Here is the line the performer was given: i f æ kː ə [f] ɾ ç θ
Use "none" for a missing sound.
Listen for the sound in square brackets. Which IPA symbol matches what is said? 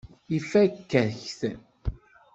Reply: none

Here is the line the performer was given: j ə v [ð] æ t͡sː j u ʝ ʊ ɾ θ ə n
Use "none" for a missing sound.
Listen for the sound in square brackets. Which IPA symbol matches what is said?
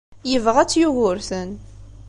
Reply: ʁ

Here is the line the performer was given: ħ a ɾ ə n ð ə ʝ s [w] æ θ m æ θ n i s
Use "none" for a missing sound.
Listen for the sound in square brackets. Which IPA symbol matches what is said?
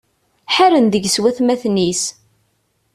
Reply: w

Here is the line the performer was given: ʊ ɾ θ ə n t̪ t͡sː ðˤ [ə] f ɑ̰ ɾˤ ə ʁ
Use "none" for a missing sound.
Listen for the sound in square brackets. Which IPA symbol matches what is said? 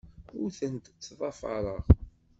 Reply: ɑ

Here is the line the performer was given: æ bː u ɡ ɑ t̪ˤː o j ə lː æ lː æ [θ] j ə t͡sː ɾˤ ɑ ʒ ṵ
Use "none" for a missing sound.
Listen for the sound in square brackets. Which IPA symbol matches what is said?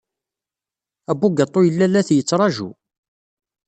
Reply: θ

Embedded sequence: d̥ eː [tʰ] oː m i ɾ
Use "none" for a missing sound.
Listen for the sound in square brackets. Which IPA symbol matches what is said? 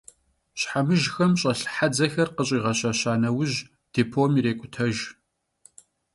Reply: pʰ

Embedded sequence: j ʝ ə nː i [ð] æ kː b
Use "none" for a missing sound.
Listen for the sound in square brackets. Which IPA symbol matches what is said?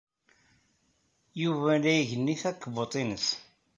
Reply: θ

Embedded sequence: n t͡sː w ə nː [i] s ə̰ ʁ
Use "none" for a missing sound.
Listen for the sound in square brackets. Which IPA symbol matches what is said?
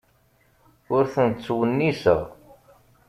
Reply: i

